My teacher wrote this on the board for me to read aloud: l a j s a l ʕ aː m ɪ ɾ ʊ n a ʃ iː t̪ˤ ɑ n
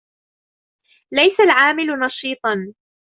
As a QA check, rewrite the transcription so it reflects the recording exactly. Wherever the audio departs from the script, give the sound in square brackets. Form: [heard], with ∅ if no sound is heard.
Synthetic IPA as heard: l a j s a l ʕ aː m ɪ [l] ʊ n [ɑ] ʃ iː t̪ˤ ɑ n